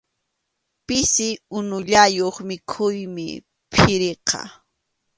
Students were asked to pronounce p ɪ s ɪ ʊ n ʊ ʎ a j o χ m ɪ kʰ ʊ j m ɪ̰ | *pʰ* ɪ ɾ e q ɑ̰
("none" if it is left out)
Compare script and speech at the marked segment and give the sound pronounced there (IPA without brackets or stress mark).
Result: pʰ